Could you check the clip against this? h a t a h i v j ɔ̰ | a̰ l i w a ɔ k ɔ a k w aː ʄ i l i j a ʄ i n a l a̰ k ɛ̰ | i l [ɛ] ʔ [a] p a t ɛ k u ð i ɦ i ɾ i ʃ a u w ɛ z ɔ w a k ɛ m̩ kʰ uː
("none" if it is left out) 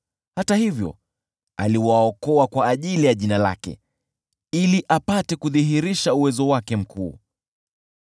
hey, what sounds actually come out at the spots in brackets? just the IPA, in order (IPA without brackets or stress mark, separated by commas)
i, a